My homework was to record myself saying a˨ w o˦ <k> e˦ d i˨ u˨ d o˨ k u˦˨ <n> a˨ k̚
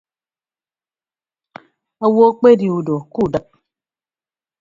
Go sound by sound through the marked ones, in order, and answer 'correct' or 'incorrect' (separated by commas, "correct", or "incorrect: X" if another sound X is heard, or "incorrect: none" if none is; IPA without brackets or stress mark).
incorrect: k͡p, incorrect: d